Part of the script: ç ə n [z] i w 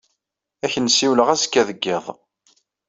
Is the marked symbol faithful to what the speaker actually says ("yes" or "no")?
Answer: no